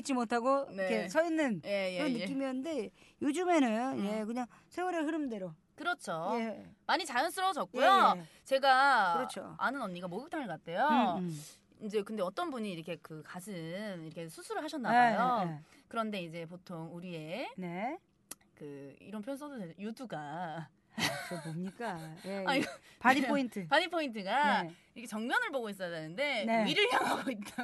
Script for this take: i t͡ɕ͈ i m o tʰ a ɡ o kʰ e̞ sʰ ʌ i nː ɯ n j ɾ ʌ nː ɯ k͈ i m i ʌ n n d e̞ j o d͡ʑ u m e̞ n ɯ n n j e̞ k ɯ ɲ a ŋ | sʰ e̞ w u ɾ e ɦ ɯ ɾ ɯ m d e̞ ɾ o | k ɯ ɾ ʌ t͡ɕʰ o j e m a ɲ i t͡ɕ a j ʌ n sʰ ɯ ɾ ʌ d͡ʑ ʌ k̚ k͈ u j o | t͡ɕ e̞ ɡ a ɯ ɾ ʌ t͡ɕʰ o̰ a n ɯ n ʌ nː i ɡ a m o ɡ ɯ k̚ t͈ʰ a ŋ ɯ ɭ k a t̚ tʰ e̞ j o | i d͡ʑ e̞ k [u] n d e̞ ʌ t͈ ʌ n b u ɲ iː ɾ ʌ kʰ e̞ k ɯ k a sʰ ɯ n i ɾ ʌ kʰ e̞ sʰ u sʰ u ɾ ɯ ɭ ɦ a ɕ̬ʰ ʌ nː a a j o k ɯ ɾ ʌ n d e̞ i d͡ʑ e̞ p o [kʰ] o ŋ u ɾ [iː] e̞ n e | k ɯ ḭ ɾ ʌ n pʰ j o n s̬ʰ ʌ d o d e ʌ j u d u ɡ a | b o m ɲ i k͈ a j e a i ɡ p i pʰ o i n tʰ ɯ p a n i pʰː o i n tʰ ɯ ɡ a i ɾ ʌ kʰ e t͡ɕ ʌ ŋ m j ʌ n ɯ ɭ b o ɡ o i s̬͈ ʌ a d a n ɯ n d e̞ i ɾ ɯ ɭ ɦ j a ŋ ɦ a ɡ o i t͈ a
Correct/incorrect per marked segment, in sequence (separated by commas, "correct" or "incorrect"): incorrect, incorrect, incorrect